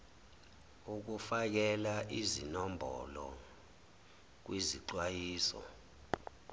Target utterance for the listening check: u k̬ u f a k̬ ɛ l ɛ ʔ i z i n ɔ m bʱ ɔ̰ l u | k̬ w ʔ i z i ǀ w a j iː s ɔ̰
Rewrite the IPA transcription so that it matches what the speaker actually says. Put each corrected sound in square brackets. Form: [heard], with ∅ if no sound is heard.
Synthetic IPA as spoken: u k̬ u f a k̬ ɛ l [a] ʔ i z i n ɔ m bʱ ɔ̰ l [ɔ] | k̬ w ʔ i z i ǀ w a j iː s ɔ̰